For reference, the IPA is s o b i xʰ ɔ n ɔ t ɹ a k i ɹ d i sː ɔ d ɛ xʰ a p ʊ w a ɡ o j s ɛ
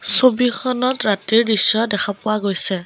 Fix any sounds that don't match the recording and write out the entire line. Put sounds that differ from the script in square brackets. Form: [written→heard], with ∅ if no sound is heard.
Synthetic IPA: s o b i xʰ ɔ n ɔ t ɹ a [k→t] i ɹ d i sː ɔ d ɛ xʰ a p ʊ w a ɡ o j s ɛ